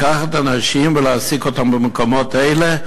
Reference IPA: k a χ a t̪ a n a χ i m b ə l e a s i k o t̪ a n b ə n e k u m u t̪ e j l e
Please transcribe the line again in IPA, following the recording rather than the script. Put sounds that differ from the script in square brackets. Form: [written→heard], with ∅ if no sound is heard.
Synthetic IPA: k a χ a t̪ a n a [χ→ʃ] i m [b→v] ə l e a s i k o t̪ a [n→m] b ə [n→m] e k [u→o] m [u→o] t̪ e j l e